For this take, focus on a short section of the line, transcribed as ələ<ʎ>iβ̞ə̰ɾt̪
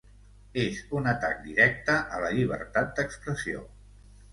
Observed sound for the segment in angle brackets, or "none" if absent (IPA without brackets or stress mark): ʎ